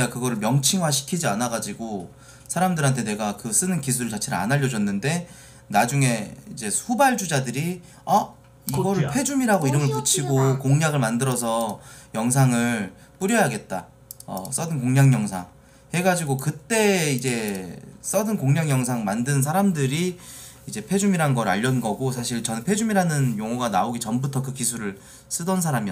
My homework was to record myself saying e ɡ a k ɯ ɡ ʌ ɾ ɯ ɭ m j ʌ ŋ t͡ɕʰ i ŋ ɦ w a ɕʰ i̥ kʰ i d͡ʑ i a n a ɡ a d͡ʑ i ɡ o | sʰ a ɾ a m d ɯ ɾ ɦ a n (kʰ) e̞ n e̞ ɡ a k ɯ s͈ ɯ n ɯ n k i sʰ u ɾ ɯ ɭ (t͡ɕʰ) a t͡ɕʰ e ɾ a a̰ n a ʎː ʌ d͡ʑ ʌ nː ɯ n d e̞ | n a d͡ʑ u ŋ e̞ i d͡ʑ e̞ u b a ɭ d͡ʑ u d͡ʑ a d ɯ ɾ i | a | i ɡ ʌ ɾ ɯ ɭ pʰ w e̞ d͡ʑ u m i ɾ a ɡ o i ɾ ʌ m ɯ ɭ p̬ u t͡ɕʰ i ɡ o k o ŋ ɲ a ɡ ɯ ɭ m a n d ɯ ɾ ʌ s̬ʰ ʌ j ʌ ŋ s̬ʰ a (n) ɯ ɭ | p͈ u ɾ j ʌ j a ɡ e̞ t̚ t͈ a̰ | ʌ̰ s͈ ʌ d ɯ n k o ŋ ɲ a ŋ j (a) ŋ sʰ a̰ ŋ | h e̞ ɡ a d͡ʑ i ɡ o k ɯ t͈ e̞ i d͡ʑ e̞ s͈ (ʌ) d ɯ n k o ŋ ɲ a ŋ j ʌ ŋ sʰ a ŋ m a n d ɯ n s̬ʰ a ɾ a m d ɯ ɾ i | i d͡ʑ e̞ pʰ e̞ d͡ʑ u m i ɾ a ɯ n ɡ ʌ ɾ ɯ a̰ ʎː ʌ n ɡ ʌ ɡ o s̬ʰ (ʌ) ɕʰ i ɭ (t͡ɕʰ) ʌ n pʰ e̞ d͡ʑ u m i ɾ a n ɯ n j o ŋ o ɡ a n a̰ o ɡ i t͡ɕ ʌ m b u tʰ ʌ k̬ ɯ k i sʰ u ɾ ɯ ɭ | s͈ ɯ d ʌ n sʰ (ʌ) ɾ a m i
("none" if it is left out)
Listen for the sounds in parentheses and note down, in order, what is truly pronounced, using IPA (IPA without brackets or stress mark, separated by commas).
tʰ, t͡ɕ, ŋ, ʌ, ʌ, a, t͡ɕ, a